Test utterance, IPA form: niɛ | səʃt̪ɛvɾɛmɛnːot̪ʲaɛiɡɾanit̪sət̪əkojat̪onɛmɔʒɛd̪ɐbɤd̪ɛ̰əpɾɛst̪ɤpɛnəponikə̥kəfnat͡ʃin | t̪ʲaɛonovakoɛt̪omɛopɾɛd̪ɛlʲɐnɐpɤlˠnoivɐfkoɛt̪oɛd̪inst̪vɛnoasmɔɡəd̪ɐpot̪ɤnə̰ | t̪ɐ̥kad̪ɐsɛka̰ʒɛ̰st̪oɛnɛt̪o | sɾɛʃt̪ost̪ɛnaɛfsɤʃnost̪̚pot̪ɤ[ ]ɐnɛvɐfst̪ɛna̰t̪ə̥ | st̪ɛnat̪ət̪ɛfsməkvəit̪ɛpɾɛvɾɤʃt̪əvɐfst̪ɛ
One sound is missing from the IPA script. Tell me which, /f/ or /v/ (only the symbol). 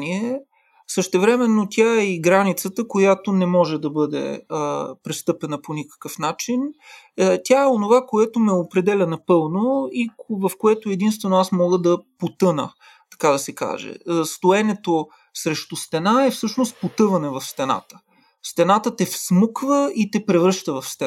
v